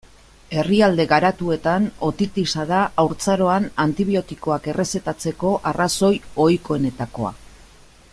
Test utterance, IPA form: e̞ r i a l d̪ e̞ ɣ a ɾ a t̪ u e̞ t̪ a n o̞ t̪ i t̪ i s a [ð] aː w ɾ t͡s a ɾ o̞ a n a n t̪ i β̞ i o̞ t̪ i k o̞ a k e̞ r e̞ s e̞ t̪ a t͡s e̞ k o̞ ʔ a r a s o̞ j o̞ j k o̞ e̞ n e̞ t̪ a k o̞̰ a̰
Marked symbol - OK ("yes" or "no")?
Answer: yes